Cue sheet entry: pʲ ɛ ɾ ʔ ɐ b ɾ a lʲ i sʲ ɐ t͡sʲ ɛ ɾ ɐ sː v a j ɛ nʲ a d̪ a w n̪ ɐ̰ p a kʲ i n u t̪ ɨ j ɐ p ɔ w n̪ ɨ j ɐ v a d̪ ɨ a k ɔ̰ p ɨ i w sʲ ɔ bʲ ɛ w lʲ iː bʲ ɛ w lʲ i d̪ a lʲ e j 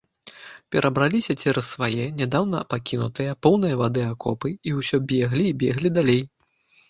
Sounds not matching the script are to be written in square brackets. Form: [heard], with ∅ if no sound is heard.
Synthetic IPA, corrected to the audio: pʲ ɛ ɾ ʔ ɐ b ɾ a lʲ i sʲ ɐ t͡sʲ ɛ ɾ ɐ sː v a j ɛ nʲ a d̪ a w n̪ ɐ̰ p a kʲ i n u t̪ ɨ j ɐ p ɔ w n̪ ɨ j ɐ v a d̪ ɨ a k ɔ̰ p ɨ i w sʲ ɔ bʲ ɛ [ɣ] lʲ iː bʲ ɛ [ɣ] lʲ i d̪ a lʲ e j